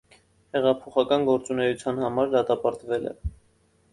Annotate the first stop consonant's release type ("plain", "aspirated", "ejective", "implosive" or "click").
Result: aspirated